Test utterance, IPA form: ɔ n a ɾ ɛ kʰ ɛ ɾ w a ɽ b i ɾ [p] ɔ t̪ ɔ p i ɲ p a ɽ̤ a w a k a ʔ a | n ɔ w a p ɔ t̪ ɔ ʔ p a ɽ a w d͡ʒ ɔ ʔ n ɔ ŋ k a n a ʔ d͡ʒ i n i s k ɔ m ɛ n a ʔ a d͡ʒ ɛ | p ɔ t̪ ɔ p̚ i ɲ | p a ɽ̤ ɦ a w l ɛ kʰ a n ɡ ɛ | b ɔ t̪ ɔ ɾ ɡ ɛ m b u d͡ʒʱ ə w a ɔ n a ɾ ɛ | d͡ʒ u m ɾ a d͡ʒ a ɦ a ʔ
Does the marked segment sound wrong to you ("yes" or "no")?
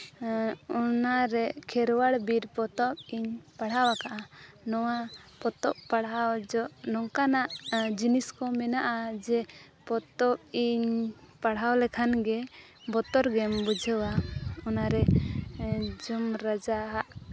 no